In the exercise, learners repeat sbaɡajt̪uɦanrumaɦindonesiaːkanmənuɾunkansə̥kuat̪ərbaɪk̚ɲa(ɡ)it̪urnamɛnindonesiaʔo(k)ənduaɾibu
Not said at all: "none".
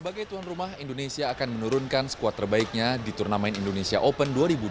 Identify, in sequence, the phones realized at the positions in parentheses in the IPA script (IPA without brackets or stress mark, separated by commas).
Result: d, p